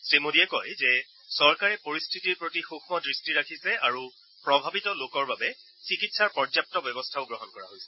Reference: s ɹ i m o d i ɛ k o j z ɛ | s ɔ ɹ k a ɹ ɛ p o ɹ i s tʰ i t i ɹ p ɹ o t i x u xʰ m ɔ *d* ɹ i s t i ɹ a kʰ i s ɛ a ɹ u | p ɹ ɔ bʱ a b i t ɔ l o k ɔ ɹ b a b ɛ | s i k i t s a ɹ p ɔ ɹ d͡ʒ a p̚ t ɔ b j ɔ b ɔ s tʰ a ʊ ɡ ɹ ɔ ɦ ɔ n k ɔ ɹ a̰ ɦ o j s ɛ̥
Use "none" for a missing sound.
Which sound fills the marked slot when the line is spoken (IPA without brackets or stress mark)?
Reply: d